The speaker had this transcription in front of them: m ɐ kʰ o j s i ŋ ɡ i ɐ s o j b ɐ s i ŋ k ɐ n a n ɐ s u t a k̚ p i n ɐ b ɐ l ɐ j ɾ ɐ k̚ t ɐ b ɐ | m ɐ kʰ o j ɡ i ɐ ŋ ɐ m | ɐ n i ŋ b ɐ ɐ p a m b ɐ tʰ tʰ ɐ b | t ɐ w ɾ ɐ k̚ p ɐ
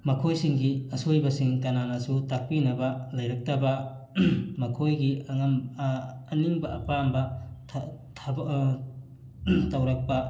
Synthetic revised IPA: m ɐ kʰ o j s i ŋ ɡ i ɐ s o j b ɐ s i ŋ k ɐ n a n ɐ s u t a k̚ p i n ɐ b ɐ l ɐ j ɾ ɐ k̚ t ɐ b ɐ | m ɐ kʰ o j ɡ i ɐ ŋ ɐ m | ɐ n i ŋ b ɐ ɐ p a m b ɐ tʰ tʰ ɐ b | t ɐ w ɾ ɐ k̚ p ɐ